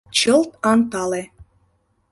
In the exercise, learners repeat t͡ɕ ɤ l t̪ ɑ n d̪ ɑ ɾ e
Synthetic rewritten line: t͡ɕ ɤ l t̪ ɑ n t̪ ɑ l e